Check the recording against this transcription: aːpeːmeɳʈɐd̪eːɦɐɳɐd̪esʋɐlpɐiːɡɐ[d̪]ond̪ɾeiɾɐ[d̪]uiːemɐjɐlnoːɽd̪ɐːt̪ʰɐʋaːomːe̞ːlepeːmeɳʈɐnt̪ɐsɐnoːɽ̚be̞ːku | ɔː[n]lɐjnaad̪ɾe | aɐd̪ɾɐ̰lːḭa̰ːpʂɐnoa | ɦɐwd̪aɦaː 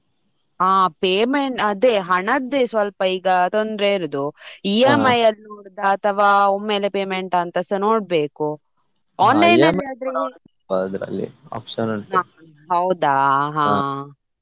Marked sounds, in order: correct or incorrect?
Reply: incorrect: t̪, correct, correct

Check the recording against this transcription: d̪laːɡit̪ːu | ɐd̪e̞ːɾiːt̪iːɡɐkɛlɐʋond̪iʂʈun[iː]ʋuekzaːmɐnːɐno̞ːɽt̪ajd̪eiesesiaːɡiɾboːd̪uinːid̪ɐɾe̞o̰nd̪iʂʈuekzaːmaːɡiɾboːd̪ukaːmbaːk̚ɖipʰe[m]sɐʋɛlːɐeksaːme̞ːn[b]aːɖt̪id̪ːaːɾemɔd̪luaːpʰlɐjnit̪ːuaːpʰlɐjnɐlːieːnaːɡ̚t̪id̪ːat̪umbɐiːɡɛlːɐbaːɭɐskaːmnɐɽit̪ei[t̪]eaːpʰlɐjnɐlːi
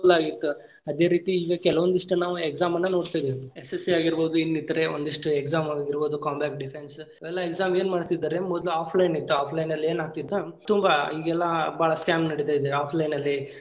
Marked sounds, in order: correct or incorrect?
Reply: incorrect: aː, incorrect: n, incorrect: m, incorrect: d̪

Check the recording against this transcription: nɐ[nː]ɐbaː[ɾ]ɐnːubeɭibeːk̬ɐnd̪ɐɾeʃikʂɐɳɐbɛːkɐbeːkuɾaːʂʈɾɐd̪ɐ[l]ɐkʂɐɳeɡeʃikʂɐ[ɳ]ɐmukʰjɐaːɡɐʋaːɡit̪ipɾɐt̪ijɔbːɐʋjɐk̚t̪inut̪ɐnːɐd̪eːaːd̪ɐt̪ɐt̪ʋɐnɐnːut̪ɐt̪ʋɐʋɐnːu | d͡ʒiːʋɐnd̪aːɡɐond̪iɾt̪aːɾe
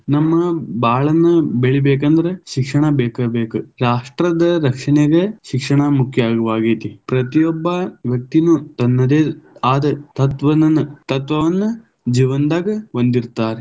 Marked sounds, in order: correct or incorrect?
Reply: incorrect: mː, incorrect: ɭ, incorrect: ɾ, correct

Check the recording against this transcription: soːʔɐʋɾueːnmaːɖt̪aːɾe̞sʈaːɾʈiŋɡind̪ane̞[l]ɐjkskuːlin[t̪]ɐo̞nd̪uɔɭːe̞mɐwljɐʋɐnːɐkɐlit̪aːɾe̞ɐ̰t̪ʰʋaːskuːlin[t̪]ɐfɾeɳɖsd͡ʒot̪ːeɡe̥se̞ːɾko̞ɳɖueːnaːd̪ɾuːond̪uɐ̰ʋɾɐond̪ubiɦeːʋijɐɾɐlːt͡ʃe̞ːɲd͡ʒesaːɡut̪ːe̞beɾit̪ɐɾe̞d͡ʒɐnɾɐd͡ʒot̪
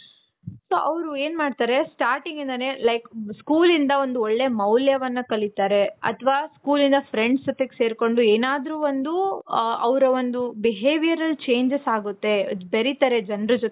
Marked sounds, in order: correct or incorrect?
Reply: correct, incorrect: d̪, incorrect: d̪

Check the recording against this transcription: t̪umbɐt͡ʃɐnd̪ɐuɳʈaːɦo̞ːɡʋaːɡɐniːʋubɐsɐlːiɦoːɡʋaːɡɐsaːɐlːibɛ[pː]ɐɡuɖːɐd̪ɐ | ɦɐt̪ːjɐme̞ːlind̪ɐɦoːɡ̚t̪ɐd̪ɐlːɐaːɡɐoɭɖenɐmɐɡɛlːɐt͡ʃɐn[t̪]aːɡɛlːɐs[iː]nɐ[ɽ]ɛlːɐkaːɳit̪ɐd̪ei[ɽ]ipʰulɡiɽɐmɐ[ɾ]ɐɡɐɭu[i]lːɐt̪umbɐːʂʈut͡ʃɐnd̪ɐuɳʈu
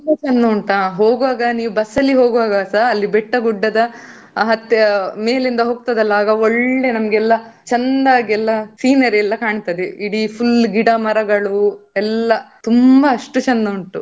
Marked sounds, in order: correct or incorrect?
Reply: incorrect: ʈː, incorrect: d̪, correct, incorrect: ɾ, correct, correct, incorrect: ɛ

